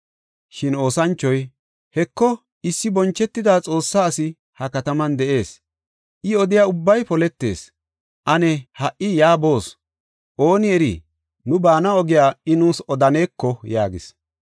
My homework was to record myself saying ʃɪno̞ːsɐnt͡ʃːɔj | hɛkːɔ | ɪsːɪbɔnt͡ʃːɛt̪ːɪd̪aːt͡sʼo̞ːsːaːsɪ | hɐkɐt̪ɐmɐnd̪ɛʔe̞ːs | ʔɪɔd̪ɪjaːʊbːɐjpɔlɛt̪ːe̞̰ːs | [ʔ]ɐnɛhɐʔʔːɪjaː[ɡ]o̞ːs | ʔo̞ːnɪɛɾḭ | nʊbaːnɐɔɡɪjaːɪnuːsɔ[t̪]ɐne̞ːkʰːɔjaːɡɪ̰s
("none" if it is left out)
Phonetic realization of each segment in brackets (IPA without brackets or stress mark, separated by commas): ʔ, b, d̪